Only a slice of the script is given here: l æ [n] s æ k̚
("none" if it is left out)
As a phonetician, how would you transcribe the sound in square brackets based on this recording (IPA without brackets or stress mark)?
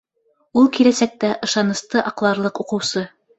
none